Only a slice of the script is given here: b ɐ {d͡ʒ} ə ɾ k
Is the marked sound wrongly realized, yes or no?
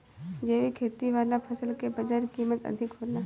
no